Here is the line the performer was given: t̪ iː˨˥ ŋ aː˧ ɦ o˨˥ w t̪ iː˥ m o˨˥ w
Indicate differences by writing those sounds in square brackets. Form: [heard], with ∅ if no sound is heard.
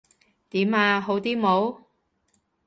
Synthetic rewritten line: t̪ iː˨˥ [m] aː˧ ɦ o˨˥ w t̪ iː˥ m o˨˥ w